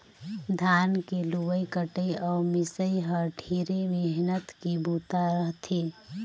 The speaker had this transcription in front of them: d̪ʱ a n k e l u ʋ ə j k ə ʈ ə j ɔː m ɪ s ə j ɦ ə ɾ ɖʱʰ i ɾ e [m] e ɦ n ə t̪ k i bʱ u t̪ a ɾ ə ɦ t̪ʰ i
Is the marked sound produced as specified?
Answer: yes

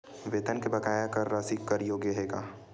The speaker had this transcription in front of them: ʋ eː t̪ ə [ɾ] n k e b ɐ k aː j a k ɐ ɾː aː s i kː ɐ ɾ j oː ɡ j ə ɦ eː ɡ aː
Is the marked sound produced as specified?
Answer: no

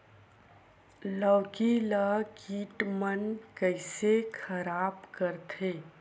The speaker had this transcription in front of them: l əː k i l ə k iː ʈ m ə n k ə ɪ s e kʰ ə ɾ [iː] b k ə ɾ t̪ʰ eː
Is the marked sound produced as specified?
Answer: no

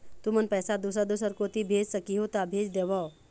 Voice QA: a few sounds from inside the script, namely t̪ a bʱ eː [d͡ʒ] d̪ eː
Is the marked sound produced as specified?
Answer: yes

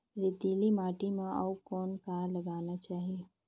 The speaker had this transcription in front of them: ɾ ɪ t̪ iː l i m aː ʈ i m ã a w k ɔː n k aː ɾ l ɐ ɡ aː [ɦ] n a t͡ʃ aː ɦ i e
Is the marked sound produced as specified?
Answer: no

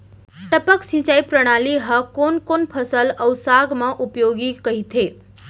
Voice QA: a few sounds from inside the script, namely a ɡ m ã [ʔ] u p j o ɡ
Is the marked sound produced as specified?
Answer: yes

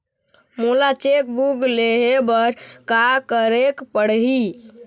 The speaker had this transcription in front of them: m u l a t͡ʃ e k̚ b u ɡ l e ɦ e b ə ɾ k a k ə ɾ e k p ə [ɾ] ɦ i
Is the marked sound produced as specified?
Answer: no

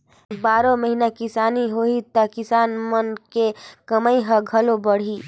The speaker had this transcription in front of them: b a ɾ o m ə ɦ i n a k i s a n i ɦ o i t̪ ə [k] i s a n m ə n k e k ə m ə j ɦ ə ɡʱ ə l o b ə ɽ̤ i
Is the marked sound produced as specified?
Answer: yes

